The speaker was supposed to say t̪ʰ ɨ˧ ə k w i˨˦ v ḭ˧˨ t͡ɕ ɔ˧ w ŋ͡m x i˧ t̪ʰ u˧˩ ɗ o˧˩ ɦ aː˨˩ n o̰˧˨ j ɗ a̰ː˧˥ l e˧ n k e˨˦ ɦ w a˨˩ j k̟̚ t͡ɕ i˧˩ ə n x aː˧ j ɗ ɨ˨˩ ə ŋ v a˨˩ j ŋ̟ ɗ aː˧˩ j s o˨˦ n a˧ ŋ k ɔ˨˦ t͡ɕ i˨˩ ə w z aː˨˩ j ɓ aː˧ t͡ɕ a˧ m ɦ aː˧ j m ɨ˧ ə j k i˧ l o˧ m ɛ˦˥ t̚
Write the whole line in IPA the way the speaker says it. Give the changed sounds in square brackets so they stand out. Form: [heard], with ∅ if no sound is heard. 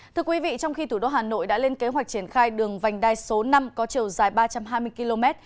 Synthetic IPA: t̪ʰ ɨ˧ ə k w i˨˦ v ḭ˧˨ t͡ɕ ɔ˧ w ŋ͡m x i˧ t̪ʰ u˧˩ ɗ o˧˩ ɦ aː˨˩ n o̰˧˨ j ɗ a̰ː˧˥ l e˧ n k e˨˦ ɦ w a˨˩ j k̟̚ t͡ɕ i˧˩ ə n x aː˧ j ɗ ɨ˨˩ ə ŋ v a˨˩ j ŋ̟ ɗ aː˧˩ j s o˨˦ n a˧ [m] k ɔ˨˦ t͡ɕ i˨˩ ə w z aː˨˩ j ɓ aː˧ t͡ɕ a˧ m ɦ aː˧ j m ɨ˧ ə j k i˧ l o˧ m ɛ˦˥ t̚